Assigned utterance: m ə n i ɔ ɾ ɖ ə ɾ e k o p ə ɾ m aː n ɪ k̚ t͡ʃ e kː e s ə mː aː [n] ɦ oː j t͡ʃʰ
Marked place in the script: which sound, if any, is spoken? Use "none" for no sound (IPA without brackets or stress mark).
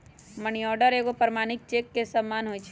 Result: n